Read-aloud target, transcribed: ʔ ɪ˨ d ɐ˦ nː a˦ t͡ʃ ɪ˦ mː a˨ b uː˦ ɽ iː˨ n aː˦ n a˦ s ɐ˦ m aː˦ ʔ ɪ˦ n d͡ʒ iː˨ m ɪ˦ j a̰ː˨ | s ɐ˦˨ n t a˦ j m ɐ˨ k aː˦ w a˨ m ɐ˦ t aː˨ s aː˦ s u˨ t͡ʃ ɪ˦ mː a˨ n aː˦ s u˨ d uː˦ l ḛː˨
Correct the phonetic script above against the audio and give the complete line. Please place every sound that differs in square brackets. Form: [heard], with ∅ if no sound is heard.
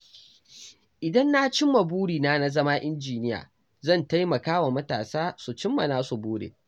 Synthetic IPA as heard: ʔ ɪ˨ d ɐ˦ nː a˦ t͡ʃ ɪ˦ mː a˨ b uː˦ ɽ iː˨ n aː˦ n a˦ [z] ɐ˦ m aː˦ ʔ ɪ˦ n d͡ʒ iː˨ [n] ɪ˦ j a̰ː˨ | [z] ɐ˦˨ n t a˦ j m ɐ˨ k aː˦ w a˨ m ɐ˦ t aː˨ s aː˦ s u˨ t͡ʃ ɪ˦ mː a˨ n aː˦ s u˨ [b] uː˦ [ɽ] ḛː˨